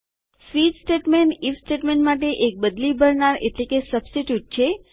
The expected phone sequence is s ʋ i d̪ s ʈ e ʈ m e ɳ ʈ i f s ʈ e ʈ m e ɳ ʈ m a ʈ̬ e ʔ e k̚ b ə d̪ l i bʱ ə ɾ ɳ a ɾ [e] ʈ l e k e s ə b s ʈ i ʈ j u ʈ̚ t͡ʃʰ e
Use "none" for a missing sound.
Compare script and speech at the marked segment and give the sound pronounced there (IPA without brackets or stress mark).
e